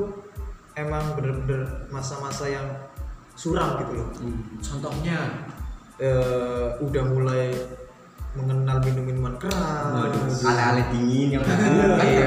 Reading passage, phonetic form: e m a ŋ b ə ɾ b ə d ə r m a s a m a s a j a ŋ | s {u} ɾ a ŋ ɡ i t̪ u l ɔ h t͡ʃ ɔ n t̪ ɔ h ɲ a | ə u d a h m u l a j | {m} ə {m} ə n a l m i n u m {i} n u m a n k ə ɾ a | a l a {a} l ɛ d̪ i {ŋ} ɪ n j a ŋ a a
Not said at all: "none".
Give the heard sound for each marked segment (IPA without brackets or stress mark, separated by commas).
u, m, ŋ, i, a, ŋ